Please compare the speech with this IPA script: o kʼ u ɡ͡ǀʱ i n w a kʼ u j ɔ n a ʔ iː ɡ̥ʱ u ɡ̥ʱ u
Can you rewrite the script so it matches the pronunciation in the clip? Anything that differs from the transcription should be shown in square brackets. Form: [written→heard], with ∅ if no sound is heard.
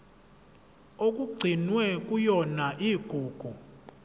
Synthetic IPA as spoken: o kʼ u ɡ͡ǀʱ i n w [a→ɛ] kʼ u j ɔ n a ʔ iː ɡ̥ʱ [u→uː] ɡ̥ʱ u